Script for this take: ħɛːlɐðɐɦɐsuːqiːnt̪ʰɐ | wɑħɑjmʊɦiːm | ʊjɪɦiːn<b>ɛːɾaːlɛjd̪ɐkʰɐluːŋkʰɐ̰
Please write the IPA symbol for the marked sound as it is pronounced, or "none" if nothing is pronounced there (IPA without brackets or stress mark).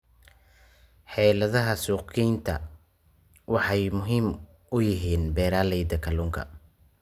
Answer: b